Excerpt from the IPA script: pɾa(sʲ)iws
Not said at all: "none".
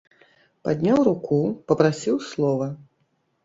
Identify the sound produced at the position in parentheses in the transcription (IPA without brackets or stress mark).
sʲ